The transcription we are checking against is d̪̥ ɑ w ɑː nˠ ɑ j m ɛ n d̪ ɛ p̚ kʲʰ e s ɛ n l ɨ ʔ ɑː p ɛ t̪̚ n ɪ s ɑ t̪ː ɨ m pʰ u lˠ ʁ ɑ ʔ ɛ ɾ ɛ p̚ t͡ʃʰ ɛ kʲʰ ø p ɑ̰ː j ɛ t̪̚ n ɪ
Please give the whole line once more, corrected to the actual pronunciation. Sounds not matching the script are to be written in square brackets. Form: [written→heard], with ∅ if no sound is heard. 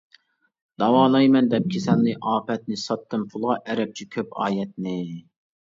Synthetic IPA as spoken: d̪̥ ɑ w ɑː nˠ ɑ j m ɛ n d̪ ɛ p̚ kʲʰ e s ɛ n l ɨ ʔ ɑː p ɛ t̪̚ n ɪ s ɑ t̪ː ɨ m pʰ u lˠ ʁ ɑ ʔ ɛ ɾ ɛ p̚ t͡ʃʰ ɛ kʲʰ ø p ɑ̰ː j ɛ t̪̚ n ɪ